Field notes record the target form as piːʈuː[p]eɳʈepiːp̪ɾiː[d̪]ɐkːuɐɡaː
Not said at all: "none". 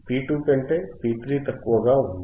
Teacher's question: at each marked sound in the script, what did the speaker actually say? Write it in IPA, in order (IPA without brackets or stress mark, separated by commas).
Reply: p, t̪